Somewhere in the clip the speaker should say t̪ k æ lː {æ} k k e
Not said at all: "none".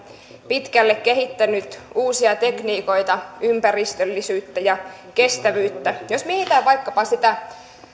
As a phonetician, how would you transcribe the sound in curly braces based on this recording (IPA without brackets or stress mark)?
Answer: e